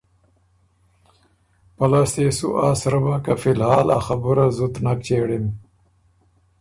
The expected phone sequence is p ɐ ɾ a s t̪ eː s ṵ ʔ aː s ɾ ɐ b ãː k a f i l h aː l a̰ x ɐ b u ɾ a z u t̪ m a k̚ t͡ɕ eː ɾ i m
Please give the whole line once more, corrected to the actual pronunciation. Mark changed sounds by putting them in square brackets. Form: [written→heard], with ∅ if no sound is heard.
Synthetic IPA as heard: p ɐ [ɾ→l] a s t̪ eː s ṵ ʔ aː s ɾ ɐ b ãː k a f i l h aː l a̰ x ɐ b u ɾ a z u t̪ [m→n] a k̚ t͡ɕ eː [ɾ→ɽ] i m